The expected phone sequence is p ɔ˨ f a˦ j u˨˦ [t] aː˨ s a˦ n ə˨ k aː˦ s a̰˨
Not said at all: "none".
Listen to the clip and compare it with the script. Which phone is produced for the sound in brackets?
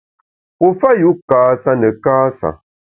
k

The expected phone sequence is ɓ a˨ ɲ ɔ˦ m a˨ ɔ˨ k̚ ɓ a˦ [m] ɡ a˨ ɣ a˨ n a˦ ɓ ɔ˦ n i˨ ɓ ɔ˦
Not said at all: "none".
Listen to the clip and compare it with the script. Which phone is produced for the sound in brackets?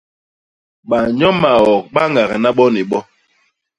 ŋ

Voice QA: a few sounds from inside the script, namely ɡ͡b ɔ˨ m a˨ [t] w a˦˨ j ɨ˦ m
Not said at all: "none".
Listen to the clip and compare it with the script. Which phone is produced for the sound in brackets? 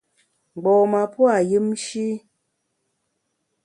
p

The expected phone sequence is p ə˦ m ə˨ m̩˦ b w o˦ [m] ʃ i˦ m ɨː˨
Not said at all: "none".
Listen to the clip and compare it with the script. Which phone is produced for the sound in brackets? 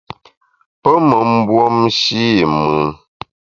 m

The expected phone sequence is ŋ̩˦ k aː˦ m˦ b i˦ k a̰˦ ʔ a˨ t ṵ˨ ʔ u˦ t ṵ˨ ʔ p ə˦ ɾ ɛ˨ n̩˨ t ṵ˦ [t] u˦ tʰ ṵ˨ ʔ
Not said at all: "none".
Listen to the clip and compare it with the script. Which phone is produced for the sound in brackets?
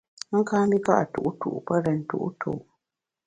ʔ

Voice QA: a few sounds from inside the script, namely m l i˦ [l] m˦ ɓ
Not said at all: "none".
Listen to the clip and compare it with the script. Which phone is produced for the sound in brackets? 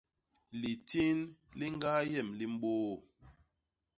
none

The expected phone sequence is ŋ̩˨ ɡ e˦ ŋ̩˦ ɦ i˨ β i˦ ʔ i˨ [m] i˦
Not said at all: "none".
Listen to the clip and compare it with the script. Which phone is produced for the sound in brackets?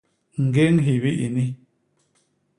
n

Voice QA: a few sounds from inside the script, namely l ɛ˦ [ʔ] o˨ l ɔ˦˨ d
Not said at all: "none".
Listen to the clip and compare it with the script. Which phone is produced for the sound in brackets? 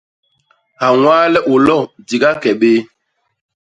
ʔ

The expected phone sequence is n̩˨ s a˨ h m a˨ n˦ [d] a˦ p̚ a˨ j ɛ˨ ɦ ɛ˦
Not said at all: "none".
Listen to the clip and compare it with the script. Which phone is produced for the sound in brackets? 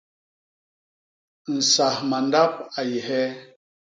d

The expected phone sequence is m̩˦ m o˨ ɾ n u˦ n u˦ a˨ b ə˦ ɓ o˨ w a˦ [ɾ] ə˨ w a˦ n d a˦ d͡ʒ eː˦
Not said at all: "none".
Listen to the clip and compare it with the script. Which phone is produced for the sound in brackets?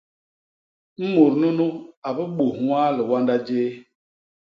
l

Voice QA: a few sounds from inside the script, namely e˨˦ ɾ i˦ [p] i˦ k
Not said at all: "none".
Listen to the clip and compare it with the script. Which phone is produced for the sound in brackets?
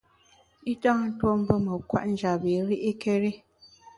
ʔ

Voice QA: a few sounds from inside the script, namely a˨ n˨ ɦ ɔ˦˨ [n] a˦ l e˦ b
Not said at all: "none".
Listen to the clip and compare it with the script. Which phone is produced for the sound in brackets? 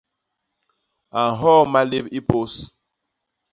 m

